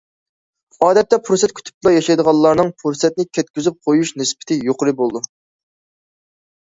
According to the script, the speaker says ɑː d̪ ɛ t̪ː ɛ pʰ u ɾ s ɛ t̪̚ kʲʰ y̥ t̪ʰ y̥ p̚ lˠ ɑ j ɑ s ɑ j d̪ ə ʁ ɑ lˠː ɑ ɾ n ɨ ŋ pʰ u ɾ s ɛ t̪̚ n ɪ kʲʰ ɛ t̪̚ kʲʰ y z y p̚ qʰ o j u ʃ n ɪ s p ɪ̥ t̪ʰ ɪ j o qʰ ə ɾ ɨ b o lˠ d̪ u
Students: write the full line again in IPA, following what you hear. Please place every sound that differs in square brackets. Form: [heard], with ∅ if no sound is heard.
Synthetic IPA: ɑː d̪ ɛ t̪ː ɛ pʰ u ɾ s ɛ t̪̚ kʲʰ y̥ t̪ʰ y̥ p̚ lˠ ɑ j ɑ [ʃ] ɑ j d̪ ə ʁ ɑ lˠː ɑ ɾ n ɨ ŋ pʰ u ɾ s ɛ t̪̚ n ɪ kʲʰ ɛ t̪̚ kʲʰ y z y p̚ qʰ o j u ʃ n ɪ s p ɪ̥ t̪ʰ ɪ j o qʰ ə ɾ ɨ b o lˠ d̪ u